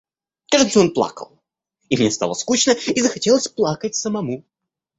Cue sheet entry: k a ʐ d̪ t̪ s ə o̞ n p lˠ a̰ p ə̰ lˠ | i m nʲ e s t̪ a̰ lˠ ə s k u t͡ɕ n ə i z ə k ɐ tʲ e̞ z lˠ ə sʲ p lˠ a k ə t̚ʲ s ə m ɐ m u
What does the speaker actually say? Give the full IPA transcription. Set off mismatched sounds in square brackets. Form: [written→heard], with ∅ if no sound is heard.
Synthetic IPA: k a ʐ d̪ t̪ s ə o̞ n p lˠ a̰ [p→k] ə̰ lˠ | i m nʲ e s t̪ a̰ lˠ ə s k u t͡ɕ n ə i z ə [k→x] ɐ tʲ e̞ [z→∅] lˠ ə sʲ p lˠ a k ə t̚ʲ s ə m ɐ m u